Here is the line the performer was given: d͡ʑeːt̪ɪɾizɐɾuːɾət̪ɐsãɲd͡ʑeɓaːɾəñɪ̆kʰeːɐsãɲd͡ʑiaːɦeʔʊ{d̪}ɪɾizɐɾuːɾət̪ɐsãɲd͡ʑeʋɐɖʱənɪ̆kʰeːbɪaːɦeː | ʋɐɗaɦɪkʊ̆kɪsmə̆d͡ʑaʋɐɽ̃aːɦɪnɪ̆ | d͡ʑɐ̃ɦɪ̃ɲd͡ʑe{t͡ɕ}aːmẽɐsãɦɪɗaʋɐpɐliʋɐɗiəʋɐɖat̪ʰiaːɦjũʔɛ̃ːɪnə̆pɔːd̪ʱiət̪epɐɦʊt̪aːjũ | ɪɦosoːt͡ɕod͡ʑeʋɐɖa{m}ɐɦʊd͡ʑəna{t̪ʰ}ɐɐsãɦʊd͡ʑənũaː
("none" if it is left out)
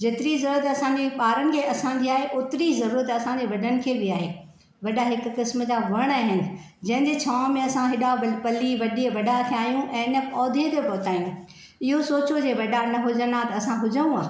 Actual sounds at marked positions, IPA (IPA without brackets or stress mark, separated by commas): t̪, t͡ɕʰ, n, t̪